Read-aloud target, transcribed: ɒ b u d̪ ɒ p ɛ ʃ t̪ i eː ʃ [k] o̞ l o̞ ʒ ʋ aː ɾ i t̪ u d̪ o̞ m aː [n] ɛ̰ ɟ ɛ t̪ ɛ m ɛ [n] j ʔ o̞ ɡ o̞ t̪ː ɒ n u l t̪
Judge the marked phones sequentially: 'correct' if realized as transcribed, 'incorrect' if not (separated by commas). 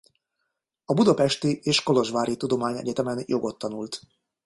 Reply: correct, incorrect, correct